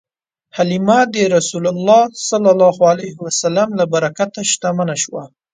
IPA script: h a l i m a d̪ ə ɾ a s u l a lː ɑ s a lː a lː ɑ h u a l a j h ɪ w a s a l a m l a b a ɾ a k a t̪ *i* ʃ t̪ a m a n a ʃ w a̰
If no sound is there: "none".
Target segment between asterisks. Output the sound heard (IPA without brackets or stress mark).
a